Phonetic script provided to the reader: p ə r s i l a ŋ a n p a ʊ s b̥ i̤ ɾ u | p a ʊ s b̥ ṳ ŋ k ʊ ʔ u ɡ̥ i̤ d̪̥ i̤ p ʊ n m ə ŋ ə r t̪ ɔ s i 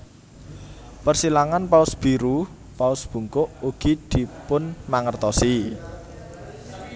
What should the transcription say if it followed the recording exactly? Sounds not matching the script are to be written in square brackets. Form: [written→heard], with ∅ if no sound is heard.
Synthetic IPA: p ə r s i l a ŋ a n p a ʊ s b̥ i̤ ɾ u | p a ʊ s b̥ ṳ ŋ k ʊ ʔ u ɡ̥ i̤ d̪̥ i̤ p ʊ n m [ə→a] ŋ ə r t̪ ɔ s i